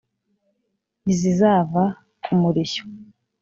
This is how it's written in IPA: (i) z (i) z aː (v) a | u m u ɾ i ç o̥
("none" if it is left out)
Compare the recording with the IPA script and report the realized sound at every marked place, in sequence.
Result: i, i, v

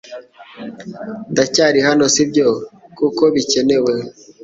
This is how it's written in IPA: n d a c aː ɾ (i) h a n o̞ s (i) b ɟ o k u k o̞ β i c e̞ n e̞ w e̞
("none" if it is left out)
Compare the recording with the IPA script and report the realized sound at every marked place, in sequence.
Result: i, i

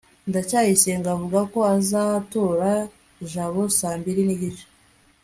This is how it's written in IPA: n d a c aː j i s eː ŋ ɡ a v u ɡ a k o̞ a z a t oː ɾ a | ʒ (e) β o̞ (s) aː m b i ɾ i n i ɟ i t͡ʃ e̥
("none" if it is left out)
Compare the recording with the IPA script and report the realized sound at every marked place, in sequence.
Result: a, s

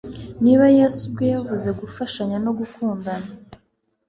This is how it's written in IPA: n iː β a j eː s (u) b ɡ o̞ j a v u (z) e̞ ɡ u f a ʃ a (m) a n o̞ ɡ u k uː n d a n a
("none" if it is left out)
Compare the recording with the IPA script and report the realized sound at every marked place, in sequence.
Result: u, z, ɲ

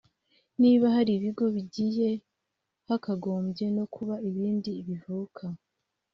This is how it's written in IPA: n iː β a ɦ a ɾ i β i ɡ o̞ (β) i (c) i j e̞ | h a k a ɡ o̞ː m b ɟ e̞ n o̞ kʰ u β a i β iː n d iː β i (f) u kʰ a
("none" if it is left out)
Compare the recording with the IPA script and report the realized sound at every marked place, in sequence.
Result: β, ɟ, v

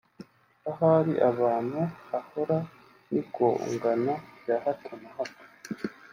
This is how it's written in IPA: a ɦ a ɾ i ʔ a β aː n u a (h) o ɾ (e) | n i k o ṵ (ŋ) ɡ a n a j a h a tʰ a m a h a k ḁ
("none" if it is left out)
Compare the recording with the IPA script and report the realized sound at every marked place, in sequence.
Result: h, a, ŋ

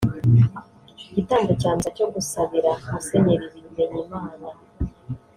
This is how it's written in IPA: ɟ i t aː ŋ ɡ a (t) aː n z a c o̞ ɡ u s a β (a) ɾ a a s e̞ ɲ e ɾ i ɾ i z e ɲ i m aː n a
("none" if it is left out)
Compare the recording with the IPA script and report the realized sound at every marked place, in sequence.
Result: c, i

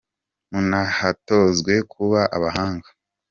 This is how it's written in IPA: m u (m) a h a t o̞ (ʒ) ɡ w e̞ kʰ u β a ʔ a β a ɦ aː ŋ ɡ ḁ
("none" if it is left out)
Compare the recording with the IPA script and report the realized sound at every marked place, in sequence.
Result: n, z

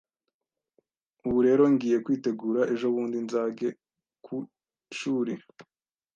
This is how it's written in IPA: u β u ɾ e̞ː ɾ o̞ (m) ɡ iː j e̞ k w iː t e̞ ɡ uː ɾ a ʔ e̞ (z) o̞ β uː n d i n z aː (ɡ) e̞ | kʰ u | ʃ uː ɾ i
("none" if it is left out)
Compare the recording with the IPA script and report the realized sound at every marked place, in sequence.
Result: ŋ, ʒ, ɡ

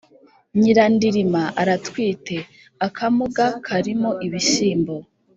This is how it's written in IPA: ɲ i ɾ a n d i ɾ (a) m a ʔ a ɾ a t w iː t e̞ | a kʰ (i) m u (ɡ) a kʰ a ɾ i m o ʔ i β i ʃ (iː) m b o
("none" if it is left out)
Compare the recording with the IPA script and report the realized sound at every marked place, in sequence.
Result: i, a, ɡ, iː

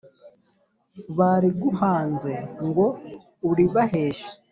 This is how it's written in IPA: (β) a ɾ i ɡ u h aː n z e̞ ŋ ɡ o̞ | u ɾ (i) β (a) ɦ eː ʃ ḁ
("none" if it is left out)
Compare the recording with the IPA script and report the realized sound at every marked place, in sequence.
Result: β, i, a

